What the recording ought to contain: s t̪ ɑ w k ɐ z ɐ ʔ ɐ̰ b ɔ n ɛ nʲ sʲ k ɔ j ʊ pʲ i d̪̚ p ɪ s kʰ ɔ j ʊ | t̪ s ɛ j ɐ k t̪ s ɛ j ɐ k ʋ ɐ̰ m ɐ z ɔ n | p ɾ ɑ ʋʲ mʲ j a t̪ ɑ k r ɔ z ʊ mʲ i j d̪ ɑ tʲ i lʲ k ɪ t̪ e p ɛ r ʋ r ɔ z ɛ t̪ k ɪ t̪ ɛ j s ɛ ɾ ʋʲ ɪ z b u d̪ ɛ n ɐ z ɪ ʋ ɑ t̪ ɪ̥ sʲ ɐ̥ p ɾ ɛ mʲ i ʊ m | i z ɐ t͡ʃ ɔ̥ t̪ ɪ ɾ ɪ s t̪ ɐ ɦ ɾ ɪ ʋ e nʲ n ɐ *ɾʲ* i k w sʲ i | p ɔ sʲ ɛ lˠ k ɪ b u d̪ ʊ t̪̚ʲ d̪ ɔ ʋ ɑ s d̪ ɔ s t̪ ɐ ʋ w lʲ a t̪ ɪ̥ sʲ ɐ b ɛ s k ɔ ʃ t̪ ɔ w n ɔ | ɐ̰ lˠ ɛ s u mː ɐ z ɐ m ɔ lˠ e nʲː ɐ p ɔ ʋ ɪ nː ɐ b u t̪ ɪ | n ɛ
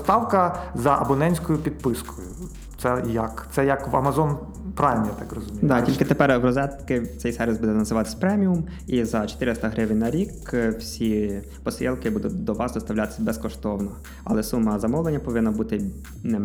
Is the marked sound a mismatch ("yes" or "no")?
no